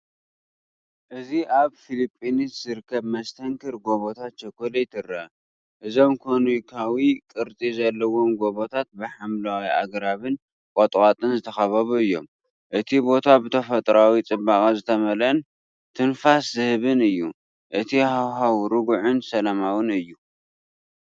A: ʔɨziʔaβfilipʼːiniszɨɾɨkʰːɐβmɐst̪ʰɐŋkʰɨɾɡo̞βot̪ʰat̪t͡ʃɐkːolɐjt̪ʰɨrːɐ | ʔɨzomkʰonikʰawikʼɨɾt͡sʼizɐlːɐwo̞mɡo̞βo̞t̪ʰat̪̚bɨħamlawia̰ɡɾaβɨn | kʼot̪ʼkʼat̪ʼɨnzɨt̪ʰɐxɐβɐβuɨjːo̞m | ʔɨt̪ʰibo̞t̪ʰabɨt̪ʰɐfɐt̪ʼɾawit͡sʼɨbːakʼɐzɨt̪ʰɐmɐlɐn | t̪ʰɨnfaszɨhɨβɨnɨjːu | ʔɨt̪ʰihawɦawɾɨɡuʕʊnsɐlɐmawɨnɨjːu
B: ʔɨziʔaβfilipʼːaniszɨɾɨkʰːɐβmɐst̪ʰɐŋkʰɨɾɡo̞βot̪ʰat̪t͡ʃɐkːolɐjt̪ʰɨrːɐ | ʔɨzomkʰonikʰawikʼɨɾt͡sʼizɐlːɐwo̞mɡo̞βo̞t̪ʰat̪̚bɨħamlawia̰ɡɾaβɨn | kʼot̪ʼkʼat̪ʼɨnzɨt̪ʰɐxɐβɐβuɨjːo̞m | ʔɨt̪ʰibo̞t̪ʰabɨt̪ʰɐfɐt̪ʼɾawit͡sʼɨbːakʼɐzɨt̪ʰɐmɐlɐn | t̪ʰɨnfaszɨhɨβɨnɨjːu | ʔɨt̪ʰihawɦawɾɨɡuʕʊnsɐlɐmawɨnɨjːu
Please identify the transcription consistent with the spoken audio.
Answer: A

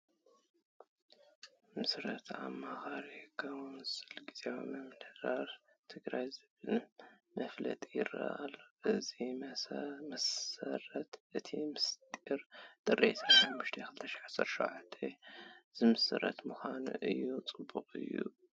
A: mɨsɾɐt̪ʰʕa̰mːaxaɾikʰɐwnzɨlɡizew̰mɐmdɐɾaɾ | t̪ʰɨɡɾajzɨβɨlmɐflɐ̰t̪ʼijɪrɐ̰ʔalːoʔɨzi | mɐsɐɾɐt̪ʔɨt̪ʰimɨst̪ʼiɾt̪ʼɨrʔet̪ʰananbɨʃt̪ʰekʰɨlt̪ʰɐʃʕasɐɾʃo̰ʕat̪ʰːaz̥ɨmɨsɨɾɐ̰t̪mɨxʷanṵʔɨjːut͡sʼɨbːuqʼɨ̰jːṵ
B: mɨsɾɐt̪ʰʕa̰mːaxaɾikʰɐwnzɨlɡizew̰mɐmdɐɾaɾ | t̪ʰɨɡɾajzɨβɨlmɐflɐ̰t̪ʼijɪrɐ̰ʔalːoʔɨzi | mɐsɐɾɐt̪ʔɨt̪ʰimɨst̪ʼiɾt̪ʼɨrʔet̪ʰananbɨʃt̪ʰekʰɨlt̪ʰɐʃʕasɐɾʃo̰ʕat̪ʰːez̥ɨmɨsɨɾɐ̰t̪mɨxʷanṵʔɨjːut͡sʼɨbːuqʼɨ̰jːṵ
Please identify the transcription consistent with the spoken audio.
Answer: B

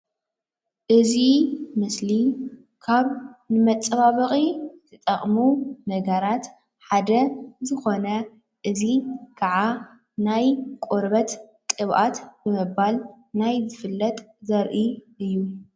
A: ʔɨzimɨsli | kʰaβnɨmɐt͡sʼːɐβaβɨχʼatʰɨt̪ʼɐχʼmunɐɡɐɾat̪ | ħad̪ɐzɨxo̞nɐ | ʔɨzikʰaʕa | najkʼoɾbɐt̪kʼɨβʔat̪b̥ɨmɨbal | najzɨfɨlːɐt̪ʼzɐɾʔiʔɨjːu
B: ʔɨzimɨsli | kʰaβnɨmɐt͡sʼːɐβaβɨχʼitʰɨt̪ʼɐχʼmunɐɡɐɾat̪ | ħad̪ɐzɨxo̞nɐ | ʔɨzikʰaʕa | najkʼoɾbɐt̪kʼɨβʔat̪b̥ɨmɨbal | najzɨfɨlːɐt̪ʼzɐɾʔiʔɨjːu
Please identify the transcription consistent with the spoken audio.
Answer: B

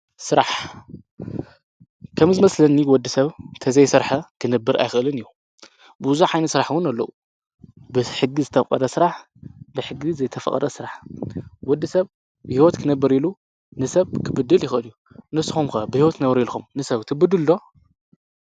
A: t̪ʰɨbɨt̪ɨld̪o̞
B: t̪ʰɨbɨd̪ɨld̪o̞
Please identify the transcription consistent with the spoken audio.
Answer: B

